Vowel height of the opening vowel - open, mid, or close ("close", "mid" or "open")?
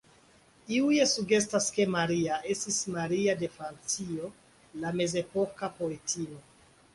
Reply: close